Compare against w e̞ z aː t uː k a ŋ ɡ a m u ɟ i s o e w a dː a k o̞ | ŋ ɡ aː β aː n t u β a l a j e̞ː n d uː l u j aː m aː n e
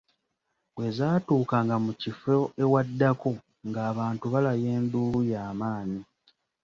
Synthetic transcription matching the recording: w e̞ z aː t uː k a ŋ ɡ a m u c i f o e w a dː a k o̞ | ŋ ɡ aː β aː n t u β a l a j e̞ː n d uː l u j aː m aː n i